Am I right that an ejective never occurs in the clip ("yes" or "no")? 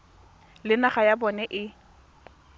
yes